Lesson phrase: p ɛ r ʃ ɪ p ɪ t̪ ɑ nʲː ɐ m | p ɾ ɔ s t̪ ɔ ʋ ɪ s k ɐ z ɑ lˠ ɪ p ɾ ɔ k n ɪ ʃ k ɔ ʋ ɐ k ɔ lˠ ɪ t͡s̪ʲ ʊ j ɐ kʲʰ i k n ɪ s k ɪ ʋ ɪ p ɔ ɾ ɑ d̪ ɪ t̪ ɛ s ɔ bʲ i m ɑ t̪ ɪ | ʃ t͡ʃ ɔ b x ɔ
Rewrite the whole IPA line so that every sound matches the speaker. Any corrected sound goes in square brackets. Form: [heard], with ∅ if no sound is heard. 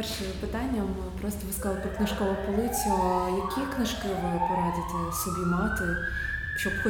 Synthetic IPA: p ɛ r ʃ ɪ p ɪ t̪ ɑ nʲː ɐ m | p ɾ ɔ s t̪ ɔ ʋ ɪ s k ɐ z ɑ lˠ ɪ p ɾ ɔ k n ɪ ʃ k ɔ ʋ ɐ [p] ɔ lˠ ɪ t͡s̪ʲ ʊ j ɐ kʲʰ i k n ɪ [ʃ] k ɪ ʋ ɪ p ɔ ɾ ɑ d̪ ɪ t̪ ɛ s ɔ bʲ i m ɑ t̪ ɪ | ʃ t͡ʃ ɔ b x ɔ